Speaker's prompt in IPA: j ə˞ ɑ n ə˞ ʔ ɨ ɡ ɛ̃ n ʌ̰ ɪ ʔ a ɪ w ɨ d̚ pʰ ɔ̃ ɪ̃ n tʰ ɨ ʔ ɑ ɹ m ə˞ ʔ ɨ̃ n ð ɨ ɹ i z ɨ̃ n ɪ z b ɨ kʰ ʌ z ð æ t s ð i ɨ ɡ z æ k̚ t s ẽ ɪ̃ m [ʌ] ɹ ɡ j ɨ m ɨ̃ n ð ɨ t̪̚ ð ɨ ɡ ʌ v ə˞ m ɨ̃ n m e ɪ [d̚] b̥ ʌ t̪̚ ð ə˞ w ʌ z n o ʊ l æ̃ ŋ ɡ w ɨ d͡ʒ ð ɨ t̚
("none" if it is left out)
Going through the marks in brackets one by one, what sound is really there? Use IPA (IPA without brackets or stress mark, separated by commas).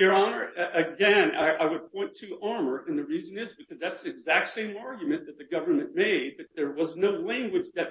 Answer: ɑ, d̚